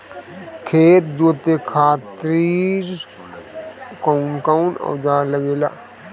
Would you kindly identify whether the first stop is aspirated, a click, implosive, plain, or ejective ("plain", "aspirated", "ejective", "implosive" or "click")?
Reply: aspirated